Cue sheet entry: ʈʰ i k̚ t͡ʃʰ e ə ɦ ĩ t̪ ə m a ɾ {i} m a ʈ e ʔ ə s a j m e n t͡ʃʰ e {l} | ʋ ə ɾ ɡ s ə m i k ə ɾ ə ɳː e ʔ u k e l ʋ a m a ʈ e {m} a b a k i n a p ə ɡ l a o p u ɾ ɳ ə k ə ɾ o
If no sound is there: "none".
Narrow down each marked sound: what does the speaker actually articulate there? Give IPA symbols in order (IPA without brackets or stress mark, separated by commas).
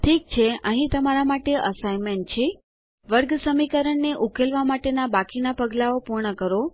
a, none, n